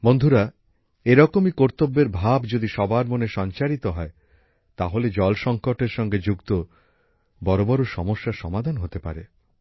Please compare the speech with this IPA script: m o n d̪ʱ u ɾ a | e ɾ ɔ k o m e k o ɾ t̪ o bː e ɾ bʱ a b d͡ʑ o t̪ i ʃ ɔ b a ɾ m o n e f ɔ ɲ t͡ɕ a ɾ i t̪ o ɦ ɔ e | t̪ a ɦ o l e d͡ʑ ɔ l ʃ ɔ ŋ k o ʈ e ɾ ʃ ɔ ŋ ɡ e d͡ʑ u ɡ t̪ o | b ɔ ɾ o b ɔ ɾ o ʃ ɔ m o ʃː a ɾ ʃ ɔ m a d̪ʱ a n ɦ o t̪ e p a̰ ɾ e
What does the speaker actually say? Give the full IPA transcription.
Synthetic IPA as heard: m o n d̪ʱ u ɾ a | e ɾ ɔ k o m i k o ɾ t̪ o bː e ɾ bʱ a b d͡ʑ o d̪ i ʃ ɔ b a ɾ m o n e ʃ ɔ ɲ t͡ɕ a ɾ i t̪ o ɦ ɔ e | t̪ a ɦ o l e d͡ʑ ɔ l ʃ ɔ ŋ k o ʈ e ɾ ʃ ɔ ŋ ɡ e d͡ʑ u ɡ t̪ o | b ɔ ɾ o b ɔ ɾ o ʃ ɔ m o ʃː a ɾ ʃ ɔ m a d̪ʱ a n ɦ o t̪ e p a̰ ɾ e